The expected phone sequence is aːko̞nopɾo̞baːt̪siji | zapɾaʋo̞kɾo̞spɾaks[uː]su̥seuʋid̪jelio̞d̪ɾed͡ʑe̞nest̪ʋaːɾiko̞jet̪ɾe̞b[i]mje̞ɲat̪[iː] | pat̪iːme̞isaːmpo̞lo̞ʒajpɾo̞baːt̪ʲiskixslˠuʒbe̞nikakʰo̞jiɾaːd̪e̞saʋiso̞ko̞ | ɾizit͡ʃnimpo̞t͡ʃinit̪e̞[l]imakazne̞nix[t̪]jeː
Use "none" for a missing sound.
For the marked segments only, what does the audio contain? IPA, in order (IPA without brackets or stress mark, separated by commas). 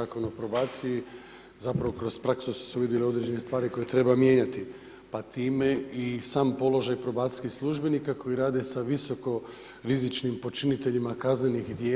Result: u, a, i, ʎ, d̪